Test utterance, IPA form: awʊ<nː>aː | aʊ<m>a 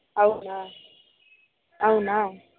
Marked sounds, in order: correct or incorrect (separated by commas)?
incorrect, incorrect